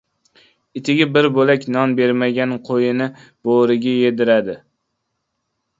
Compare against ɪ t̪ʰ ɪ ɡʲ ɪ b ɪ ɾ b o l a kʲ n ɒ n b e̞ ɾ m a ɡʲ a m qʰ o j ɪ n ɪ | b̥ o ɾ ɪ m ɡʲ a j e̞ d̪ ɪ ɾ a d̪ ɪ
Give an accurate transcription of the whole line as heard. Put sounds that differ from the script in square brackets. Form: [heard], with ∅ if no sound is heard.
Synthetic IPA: ɪ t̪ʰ ɪ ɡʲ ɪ b ɪ ɾ b o l a kʲ n ɒ n b e̞ ɾ m a ɡʲ a [n] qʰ o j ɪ n ɪ | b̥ o ɾ ɪ [∅] ɡʲ a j e̞ d̪ ɪ ɾ a d̪ ɪ